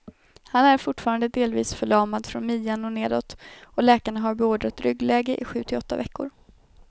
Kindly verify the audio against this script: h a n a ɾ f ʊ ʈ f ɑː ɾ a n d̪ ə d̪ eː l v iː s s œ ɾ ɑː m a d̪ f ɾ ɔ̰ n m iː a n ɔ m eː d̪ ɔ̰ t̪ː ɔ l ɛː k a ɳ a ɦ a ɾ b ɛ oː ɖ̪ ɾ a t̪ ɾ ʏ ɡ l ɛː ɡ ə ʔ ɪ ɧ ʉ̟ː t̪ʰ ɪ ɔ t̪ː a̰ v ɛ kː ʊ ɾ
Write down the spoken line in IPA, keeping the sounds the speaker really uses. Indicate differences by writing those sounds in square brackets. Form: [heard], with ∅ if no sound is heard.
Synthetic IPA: h a n [æ] ɾ f ʊ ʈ f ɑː ɾ a n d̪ ə d̪ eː l v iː s [f] œ [ɭ] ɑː m a d̪ f ɾ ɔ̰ n m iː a n ɔ [n] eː d̪ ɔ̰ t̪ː ɔ l ɛː k a ɳ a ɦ a ɾ b ɛ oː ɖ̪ ɾ a t̪ ɾ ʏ ɡ l ɛː ɡ ə ʔ ɪ ɧ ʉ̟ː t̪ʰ ɪ ɔ t̪ː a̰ v ɛ kː ʊ ɾ